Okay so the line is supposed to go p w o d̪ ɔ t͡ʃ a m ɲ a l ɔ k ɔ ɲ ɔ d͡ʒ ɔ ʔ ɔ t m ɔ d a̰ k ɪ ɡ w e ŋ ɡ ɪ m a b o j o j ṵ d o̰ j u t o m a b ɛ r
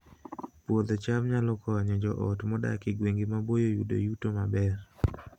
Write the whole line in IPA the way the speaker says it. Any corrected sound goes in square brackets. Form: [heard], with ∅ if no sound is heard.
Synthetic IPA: p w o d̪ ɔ t͡ʃ a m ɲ a l ɔ k ɔ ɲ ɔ d͡ʒ ɔ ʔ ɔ t m ɔ d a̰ k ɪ ɡ w e ŋ ɡ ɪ m a b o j o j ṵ d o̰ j u t o m a b ɛ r